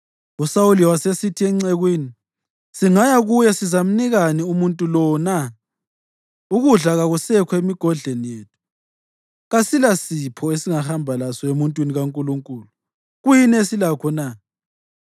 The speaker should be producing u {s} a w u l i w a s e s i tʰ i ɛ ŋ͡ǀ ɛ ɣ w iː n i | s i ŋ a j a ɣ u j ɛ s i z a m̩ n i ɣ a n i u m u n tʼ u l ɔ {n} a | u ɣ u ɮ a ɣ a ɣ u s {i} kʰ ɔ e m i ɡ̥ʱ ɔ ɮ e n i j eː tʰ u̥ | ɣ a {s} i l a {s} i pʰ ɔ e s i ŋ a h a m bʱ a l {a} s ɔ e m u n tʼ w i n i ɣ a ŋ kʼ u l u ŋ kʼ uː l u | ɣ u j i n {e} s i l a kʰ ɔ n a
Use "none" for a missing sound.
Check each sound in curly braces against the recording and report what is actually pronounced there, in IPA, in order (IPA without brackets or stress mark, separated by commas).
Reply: s, n, ɛ, s, s, a, e